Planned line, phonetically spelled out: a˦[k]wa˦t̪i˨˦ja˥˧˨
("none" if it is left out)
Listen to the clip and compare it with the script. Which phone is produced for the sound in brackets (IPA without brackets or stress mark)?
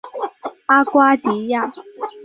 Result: k